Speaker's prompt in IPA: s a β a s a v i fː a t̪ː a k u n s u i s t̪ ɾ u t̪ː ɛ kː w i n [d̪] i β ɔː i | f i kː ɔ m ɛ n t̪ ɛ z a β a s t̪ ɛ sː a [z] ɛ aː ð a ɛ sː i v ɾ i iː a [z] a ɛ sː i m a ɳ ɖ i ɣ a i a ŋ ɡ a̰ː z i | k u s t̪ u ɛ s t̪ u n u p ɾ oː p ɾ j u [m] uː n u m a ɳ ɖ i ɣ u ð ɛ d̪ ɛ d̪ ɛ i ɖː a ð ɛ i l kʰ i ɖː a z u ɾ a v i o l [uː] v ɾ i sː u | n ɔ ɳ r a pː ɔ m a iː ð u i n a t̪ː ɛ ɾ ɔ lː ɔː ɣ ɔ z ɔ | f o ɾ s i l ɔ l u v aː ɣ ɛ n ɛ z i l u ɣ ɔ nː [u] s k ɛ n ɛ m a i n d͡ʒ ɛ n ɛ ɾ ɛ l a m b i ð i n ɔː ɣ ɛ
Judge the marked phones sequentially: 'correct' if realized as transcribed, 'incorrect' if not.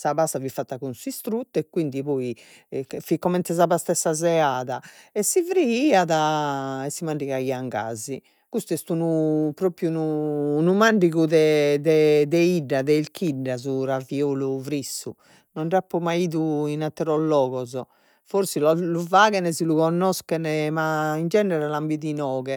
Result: correct, correct, incorrect, incorrect, incorrect, incorrect

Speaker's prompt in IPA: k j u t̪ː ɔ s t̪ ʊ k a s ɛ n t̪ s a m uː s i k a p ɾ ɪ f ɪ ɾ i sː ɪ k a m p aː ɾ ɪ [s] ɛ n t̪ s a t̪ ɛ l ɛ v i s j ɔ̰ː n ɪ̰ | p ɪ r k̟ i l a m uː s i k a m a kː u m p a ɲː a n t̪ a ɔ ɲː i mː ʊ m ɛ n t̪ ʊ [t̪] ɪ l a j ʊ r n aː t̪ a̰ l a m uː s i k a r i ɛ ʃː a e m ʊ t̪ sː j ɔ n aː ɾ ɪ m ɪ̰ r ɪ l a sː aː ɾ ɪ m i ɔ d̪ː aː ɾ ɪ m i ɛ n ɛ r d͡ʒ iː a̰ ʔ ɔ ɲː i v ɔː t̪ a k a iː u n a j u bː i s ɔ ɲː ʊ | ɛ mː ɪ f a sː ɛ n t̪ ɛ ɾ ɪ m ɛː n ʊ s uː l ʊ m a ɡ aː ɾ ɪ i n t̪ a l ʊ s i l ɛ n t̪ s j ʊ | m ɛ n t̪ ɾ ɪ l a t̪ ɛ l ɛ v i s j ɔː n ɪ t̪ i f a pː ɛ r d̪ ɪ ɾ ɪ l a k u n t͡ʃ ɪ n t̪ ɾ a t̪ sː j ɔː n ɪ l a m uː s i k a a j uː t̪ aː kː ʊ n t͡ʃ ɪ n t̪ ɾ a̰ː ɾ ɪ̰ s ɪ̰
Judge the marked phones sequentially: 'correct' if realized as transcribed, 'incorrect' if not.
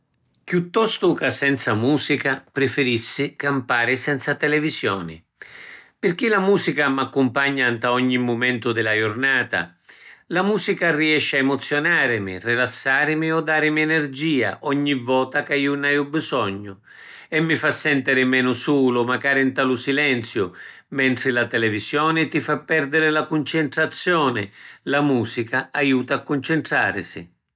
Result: correct, incorrect

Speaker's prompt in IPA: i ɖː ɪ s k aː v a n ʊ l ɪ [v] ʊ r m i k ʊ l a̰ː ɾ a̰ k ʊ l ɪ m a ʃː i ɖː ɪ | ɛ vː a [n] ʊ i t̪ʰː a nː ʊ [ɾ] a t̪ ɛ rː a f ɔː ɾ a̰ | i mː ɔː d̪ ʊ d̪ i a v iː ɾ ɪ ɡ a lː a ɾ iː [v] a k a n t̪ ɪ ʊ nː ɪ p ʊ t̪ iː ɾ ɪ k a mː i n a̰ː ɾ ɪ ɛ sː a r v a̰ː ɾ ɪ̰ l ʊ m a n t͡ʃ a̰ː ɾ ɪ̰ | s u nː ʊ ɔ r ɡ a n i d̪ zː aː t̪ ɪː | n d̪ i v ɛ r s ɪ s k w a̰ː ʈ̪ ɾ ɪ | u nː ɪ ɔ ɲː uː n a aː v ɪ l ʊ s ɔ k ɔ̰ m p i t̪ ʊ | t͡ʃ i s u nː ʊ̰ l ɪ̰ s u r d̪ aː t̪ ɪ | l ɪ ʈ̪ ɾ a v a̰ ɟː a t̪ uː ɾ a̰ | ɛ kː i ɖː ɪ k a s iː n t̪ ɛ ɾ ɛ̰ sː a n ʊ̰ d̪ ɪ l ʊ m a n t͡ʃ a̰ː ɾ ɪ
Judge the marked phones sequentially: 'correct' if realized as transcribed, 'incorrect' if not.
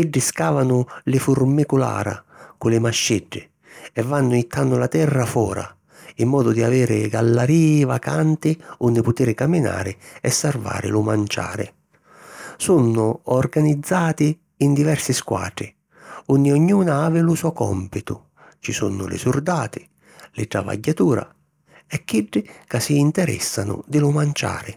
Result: incorrect, incorrect, incorrect, correct

